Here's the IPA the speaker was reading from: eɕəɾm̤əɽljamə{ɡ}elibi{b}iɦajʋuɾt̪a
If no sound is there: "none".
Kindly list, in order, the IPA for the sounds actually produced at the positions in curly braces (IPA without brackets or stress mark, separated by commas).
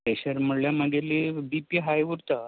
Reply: ɡ, p